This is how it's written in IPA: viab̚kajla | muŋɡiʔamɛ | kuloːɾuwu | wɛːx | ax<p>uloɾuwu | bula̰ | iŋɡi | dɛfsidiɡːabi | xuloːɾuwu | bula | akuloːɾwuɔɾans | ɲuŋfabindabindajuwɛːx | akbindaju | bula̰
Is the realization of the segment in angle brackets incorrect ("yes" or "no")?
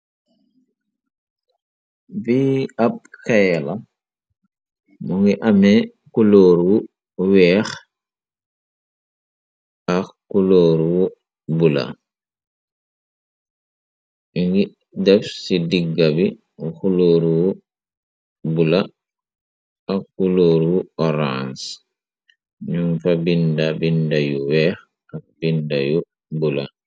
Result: yes